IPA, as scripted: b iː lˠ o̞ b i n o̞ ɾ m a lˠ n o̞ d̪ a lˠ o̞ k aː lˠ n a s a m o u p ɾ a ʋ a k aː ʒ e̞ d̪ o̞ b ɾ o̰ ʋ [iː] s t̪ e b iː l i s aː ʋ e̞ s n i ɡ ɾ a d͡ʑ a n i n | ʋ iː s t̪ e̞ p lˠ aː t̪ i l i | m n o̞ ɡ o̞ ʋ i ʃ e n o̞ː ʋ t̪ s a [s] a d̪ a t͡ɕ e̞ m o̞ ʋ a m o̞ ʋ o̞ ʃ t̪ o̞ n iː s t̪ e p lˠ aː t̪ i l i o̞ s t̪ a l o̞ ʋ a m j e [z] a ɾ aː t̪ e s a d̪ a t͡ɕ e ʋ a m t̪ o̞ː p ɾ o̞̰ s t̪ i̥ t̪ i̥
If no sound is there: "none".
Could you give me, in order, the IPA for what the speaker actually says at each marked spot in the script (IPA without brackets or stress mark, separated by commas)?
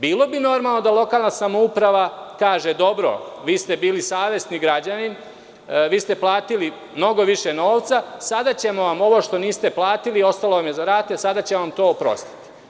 iː, s, z